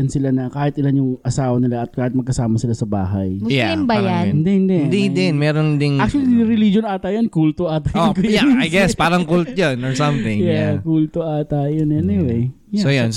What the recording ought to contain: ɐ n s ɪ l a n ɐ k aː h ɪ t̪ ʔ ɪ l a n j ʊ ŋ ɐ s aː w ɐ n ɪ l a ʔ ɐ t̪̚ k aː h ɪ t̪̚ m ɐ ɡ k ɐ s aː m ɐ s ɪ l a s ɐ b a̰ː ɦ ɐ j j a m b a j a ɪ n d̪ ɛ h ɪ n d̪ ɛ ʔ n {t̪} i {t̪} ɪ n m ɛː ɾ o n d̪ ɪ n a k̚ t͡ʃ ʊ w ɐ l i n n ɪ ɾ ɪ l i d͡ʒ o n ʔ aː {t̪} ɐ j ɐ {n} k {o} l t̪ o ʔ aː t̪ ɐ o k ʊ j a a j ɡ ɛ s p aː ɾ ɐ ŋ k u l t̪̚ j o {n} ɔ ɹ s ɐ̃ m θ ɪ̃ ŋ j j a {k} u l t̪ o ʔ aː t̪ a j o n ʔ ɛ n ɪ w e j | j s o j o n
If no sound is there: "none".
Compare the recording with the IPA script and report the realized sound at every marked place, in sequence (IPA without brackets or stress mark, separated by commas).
d̪, d̪, t̪, n, u, n, k